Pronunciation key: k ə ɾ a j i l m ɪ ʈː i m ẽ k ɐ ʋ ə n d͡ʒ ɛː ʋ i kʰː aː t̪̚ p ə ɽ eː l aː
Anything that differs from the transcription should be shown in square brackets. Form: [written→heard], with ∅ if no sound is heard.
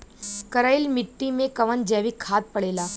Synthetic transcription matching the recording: k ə ɾ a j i l m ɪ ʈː i m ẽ k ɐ ʋ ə n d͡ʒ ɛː ʋ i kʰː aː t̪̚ p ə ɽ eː l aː